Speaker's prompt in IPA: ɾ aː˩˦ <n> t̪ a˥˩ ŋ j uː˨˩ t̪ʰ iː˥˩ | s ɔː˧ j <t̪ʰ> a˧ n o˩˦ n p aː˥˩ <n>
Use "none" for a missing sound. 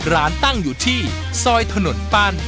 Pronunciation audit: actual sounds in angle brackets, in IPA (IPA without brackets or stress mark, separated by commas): n, t̪ʰ, n